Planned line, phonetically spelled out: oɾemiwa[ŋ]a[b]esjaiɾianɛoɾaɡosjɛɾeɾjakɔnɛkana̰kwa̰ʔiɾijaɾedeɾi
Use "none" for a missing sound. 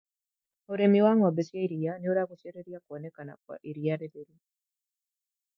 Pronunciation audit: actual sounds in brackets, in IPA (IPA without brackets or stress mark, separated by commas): ŋ, b